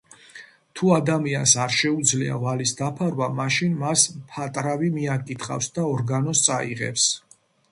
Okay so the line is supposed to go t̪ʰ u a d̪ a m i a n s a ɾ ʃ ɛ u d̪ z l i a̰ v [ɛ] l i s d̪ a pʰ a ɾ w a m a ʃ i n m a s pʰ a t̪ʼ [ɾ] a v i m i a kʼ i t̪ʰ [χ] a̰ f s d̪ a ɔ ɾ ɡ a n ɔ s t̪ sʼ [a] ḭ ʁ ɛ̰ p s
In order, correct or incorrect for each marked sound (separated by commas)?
incorrect, correct, correct, correct